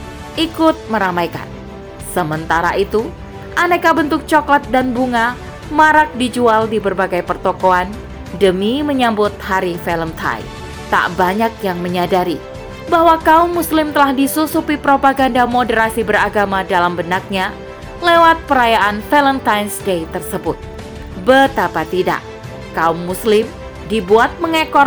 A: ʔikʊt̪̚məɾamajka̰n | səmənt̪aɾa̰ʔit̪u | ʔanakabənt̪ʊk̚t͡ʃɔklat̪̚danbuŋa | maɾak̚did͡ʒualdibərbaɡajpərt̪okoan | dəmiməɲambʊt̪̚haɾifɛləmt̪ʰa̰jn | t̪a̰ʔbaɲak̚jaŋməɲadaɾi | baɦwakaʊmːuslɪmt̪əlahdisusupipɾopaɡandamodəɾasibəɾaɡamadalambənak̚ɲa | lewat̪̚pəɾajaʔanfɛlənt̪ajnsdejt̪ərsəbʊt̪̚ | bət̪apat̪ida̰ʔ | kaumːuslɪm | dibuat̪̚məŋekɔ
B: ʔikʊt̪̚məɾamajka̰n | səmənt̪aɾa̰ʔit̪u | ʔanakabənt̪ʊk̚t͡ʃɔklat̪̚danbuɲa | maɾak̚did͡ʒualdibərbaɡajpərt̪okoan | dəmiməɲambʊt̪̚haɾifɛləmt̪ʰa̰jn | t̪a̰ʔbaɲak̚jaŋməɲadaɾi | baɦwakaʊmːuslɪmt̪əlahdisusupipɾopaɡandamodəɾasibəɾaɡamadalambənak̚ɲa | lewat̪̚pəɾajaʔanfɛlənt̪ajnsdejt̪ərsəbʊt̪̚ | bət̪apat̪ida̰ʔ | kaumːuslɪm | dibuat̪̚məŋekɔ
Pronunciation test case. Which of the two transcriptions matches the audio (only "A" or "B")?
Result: A